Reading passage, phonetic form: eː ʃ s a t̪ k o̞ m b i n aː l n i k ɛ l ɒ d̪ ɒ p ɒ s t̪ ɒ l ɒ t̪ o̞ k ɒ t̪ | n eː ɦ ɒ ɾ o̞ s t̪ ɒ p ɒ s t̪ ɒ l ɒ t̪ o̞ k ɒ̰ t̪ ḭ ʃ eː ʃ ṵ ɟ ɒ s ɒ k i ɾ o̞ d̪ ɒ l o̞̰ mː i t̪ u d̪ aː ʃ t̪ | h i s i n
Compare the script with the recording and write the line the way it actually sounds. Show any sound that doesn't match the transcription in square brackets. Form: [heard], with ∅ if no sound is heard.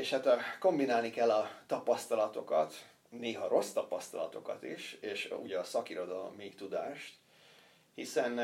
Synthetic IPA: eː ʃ [h] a t̪ k o̞ m b i n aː l n i k ɛ [lː] ɒ [t̪] ɒ p ɒ s t̪ ɒ l ɒ t̪ o̞ k ɒ t̪ | n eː ɦ ɒ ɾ o̞ s t̪ ɒ p ɒ s t̪ ɒ l ɒ t̪ o̞ k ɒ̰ t̪ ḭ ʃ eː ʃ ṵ ɟ ɒ s ɒ k i ɾ o̞ d̪ ɒ l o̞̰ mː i t̪ u d̪ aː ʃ t̪ | h i s [ɛ] n